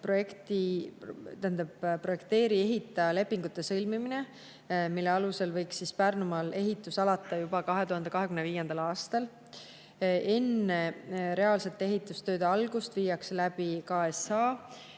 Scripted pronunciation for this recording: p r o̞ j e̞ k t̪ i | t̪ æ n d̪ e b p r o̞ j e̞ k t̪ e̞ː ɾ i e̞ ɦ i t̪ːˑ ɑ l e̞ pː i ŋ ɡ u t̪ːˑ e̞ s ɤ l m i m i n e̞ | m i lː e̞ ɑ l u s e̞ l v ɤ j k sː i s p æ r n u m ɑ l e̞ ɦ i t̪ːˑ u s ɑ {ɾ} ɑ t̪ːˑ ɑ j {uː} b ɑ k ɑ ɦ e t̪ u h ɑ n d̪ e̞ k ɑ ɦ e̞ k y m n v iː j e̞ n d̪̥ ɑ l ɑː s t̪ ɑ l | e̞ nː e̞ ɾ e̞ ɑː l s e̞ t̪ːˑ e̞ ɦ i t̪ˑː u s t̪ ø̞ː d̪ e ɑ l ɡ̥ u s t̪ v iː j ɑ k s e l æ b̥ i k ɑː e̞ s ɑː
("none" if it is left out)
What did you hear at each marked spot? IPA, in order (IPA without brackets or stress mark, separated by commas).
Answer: l, u